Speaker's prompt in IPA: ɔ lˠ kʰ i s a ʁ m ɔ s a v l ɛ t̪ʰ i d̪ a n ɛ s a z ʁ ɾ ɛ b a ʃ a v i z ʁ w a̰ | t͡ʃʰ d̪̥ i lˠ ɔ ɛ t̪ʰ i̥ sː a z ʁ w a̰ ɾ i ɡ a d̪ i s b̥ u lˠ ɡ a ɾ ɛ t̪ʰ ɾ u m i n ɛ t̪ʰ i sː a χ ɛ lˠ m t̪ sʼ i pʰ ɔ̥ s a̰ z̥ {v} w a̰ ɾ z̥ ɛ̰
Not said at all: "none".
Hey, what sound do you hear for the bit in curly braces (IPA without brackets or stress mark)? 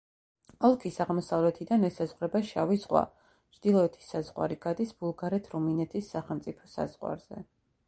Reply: ʁ